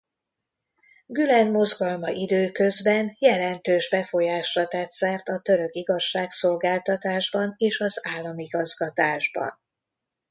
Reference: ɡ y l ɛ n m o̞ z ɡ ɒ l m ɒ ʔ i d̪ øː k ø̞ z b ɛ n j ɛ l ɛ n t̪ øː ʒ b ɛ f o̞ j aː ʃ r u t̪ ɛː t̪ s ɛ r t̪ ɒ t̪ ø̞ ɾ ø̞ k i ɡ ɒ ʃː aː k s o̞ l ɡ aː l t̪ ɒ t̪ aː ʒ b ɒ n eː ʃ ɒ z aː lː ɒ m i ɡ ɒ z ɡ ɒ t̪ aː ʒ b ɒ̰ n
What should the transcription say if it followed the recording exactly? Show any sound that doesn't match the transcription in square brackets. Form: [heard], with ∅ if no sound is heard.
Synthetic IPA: ɡ y l ɛ n m o̞ z ɡ ɒ l m ɒ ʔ i d̪ øː k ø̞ z b ɛ n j ɛ l ɛ n t̪ øː ʒ b ɛ f o̞ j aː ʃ r [ɒ] t̪ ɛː t̪ s ɛ r t̪ ɒ t̪ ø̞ ɾ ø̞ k i ɡ ɒ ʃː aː k s o̞ l ɡ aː l t̪ ɒ t̪ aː ʒ b ɒ n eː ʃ ɒ z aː lː ɒ m i ɡ ɒ z ɡ ɒ t̪ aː ʒ b ɒ̰ n